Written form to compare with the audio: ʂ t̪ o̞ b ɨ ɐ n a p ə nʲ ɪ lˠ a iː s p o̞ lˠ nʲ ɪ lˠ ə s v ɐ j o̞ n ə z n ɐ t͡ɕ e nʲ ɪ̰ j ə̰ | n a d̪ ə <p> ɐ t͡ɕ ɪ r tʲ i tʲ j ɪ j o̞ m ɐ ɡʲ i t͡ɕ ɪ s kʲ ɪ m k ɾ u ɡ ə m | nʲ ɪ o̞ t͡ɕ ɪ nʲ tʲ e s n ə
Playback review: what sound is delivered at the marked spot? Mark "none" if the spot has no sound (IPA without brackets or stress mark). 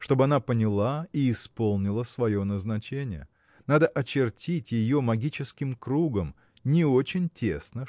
ʔ